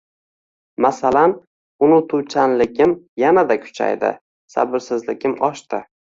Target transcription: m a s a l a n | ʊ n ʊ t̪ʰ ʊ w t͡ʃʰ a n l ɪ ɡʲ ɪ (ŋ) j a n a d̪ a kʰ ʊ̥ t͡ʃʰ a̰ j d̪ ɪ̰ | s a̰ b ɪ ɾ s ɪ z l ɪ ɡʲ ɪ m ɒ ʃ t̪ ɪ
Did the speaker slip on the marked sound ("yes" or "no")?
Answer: yes